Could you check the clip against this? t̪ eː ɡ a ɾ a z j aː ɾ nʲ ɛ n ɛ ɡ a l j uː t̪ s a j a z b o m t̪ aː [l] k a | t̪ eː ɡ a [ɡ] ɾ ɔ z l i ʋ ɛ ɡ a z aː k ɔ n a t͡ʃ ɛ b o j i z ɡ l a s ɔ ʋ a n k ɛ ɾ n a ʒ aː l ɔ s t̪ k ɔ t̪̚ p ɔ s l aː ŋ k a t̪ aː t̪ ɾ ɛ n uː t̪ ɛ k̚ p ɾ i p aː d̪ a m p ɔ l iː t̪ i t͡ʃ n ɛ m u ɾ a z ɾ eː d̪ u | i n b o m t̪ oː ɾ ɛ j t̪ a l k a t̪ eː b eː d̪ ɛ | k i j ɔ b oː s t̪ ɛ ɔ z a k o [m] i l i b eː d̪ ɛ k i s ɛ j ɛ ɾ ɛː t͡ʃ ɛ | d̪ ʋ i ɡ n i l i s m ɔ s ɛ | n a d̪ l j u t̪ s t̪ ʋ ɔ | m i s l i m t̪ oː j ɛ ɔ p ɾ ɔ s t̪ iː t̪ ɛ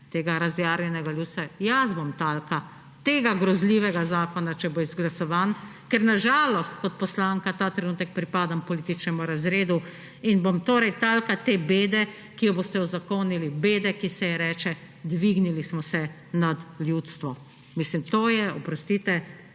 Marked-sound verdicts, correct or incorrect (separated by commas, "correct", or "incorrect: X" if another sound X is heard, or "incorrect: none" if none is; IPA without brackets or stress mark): correct, correct, incorrect: n